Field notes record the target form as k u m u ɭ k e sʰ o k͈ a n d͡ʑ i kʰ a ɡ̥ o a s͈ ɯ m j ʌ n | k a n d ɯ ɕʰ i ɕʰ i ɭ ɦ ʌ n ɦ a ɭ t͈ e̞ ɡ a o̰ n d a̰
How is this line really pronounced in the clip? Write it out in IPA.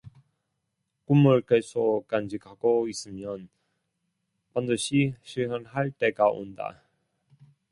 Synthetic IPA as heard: k u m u ɭ k e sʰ o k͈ a n d͡ʑ i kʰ a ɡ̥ o i s͈ ɯ m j ʌ n | p a n d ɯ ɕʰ i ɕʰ i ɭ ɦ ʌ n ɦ a ɭ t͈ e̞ ɡ a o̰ n d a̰